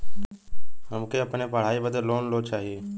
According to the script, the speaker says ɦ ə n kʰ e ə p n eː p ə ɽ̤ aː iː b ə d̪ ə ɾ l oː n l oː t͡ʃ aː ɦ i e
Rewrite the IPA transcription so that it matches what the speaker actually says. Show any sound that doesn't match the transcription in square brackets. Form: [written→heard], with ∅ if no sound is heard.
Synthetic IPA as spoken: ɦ ə [n→m] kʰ e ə p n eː p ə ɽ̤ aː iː b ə d̪ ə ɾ l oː n l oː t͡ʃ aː ɦ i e